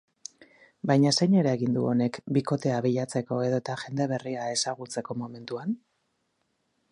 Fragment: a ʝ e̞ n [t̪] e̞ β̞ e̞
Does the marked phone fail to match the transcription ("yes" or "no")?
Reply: yes